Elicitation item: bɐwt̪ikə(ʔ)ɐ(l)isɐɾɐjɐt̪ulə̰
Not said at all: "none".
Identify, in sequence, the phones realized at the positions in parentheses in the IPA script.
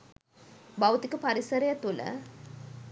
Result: p, ɾ

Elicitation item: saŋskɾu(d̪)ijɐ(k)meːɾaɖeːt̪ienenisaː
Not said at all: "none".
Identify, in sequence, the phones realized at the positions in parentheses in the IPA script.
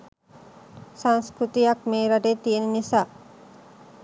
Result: t̪, k

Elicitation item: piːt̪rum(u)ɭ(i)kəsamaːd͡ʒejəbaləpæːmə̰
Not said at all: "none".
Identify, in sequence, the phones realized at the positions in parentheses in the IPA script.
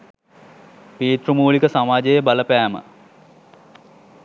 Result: uː, i

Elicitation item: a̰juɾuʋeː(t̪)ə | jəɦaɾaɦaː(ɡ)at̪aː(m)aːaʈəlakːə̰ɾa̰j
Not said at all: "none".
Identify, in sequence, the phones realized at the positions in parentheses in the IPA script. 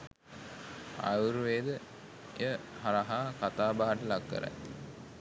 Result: d̪, k, b

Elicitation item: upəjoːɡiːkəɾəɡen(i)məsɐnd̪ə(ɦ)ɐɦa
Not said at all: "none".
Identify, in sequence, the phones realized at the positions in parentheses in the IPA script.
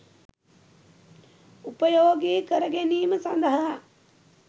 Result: iː, ɦ

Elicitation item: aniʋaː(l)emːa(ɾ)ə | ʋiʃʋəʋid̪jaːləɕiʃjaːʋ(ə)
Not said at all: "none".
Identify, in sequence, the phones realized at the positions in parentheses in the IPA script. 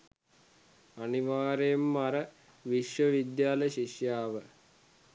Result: ɾ, ɾ, ə

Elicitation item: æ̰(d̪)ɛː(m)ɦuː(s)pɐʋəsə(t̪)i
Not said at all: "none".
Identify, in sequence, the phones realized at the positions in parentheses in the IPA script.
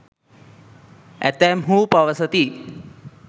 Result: t̪, m, none, t̪

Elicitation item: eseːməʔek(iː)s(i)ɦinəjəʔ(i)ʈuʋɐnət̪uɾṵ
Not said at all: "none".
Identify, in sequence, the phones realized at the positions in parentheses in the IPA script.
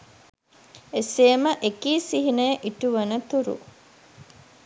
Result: iː, i, i

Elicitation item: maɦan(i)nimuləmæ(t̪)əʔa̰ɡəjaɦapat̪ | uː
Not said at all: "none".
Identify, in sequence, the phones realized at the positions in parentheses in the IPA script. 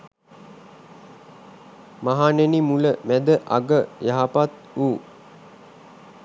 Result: e, d̪

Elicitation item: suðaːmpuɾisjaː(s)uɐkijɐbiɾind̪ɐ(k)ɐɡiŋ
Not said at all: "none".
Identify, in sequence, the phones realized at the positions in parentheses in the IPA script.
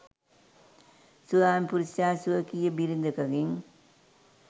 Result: s, k

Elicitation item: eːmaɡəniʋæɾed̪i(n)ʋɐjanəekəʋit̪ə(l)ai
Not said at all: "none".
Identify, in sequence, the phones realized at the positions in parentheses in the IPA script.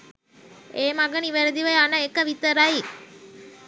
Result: none, ɾ

